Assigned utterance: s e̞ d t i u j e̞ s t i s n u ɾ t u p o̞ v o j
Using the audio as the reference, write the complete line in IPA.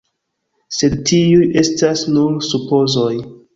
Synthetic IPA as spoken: s e̞ d t i u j e̞ s t a s n u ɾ s u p o̞ z o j